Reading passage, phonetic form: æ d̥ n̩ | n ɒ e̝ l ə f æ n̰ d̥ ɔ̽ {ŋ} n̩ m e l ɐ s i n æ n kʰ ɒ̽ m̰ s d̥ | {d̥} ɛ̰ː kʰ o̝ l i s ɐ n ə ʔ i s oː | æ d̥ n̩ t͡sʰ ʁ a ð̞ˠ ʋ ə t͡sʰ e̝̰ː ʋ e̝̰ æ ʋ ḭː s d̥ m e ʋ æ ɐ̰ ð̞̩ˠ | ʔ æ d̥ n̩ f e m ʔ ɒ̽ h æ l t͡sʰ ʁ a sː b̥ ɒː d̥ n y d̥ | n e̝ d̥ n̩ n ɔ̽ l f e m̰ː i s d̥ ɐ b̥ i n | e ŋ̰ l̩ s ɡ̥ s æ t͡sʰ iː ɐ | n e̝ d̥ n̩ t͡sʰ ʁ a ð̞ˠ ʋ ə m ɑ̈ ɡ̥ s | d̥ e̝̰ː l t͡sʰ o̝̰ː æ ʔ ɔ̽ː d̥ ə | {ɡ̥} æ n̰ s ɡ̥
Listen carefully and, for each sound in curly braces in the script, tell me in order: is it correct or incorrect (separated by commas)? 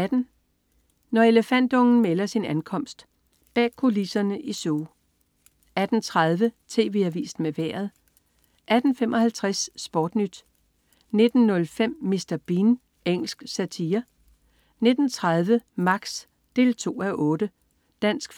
correct, incorrect, incorrect